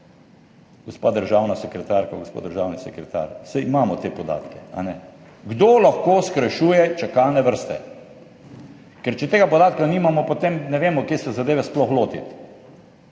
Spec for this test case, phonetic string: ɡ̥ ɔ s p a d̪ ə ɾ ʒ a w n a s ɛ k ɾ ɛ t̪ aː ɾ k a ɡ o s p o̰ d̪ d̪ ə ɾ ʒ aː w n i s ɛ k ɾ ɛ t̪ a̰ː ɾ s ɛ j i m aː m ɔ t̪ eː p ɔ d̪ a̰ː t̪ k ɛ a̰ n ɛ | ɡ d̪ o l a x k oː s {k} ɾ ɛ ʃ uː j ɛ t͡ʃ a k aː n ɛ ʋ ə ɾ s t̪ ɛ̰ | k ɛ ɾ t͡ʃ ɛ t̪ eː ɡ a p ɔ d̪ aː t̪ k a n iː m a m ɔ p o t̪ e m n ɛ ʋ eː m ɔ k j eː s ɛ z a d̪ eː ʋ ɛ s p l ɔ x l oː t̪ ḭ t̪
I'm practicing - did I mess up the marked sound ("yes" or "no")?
no